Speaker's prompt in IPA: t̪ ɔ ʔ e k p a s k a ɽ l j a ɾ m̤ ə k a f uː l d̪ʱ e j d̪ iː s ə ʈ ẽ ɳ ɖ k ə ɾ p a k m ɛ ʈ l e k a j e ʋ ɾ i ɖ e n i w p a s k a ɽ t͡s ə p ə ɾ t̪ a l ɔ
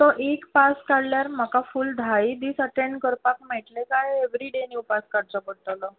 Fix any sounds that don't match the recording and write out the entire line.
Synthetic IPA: t̪ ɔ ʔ e k p a s k a ɽ l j a ɾ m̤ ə k a f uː l d̪ʱ a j d̪ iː s ə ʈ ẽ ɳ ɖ k ə ɾ p a k m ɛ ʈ l e k a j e ʋ ɾ i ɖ e n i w p a s k a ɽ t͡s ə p ə ɽ t̪ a l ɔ